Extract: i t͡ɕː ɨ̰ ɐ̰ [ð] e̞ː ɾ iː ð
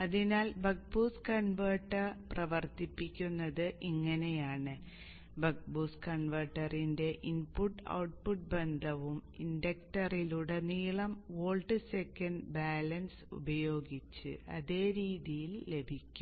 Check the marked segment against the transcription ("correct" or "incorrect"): correct